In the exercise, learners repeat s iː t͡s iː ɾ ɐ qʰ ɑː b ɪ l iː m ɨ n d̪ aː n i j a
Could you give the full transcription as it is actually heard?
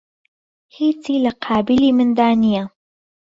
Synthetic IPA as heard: h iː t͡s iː l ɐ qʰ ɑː b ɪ l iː m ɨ n d̪ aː n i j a